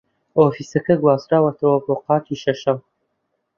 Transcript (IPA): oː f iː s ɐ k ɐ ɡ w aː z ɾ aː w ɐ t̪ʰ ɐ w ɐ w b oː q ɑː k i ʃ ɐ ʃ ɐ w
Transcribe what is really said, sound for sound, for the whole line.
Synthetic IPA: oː f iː s ɐ k ɐ ɡ w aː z ɾ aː w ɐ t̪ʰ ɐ w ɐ b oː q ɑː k i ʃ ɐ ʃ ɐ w